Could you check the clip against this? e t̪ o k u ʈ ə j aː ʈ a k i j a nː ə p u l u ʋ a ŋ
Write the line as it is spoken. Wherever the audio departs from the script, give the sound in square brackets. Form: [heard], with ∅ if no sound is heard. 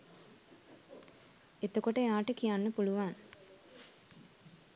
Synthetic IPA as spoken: e t̪ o k [o] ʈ ə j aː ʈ [ə] k i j a nː ə p u l u ʋ a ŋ

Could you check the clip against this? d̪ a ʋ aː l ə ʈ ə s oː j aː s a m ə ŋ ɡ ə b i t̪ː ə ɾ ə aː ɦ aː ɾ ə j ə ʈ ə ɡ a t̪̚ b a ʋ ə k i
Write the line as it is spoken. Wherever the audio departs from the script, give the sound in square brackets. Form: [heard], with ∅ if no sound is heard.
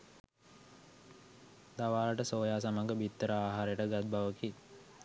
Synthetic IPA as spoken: d̪ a ʋ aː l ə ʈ ə s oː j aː s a m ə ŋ ɡ ə b i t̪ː ə ɾ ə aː ɦ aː ɾ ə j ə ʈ ə ɡ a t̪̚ b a ʋ ə k i

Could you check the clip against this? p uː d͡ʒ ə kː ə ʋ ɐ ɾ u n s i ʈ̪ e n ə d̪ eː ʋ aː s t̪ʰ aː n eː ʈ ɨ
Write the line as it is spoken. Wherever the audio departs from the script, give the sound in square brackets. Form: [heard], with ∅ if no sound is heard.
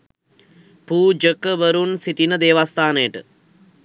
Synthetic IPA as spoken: p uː d͡ʒ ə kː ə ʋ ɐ ɾ u n s i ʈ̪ [i] n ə d̪ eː ʋ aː s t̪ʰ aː n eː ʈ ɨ

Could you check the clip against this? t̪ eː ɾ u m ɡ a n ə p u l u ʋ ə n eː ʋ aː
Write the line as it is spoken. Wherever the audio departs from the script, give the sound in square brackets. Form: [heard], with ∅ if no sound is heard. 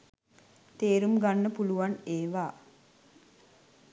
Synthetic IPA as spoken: t̪ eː ɾ u m ɡ a [nː] ə p u l u ʋ [a] n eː ʋ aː

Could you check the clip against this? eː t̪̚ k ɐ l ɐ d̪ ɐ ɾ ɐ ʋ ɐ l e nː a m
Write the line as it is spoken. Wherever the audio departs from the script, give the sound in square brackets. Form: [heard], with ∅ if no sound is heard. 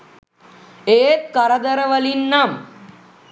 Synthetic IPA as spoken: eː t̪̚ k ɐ [ɾ] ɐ d̪ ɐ ɾ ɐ ʋ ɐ l [i] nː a m

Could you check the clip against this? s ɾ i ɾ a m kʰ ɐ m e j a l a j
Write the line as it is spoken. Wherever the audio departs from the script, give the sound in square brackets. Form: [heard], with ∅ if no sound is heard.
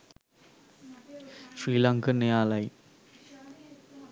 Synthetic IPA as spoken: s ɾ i [l] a [ŋ] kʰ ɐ [n] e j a l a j

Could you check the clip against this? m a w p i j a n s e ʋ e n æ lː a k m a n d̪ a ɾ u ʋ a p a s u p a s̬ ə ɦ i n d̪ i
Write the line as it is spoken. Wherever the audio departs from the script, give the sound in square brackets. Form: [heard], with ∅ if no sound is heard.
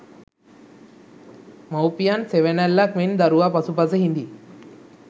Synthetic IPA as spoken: m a w p i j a n s e ʋ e n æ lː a k m [e] n d̪ a ɾ u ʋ a p a s u p a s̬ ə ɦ i n d̪ i

